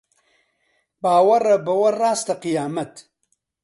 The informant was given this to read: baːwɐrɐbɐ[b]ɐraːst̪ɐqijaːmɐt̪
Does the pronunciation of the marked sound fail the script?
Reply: yes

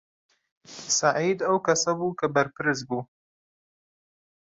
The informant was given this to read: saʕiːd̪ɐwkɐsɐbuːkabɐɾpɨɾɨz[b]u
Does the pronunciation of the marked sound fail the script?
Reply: no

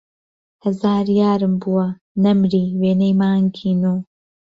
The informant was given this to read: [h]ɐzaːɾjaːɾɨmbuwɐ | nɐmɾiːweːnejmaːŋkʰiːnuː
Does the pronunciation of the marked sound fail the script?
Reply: no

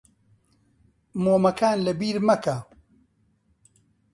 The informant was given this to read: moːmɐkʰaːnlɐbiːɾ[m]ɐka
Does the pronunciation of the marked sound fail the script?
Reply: no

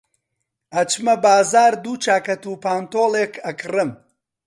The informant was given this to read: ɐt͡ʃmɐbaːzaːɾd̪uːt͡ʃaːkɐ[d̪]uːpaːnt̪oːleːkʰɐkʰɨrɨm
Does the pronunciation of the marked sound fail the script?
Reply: yes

